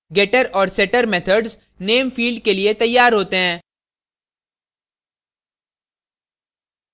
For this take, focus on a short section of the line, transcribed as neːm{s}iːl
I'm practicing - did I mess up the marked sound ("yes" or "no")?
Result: yes